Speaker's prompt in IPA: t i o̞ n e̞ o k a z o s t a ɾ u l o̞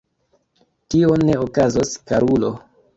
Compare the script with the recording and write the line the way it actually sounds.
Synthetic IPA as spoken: t i o̞ n e̞ o k a z o s k a ɾ u l o̞